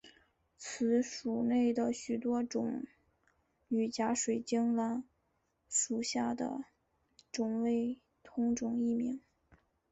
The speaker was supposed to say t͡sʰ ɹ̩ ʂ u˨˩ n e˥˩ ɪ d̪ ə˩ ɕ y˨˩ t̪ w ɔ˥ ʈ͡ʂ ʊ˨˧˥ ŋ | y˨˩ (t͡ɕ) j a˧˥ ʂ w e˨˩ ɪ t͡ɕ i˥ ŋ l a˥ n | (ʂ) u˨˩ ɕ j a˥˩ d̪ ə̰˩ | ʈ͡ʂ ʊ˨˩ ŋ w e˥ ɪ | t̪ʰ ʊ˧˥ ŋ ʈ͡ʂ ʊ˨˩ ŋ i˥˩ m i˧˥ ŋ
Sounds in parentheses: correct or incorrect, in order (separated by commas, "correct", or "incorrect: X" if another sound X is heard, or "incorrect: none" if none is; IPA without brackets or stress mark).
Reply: correct, correct